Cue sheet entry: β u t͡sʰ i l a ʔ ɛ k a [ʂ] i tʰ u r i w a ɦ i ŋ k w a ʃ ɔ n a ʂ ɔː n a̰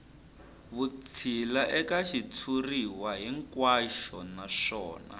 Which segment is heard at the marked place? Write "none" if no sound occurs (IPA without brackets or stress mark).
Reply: ʃ